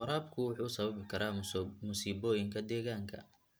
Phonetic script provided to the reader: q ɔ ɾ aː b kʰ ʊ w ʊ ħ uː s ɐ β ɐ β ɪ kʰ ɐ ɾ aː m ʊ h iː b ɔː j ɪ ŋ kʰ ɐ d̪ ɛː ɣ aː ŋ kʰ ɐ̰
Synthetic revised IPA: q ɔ ɾ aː b kʰ ʊ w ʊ ħ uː s ɐ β ɐ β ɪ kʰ ɐ ɾ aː m ʊ s iː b ɔː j ɪ ŋ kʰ ɐ d̪ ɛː ɣ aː ŋ kʰ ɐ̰